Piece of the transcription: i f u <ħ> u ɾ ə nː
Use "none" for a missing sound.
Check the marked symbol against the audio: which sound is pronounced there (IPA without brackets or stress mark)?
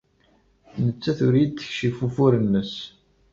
f